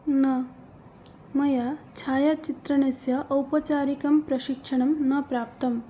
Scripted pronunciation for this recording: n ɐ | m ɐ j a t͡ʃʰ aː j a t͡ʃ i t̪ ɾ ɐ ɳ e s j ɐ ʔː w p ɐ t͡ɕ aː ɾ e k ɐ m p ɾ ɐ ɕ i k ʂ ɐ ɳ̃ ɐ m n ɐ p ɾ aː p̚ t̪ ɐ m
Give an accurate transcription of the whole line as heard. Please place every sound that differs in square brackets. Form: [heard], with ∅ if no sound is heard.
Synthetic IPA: n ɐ | m ɐ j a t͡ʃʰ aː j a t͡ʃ i t̪ ɾ ɐ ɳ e s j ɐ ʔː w p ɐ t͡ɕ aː ɾ [i] k ɐ m p ɾ ɐ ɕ i k ʂ ɐ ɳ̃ ɐ m n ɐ p ɾ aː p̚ t̪ ɐ m